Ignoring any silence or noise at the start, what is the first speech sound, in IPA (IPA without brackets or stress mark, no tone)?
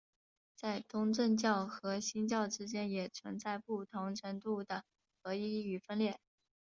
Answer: t͡s